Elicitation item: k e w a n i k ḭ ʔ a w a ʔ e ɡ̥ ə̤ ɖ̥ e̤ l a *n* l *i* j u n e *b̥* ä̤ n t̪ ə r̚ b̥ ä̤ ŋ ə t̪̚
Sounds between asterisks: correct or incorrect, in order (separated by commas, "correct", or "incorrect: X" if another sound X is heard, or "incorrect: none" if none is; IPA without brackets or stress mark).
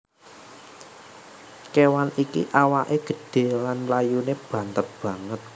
correct, incorrect: a, correct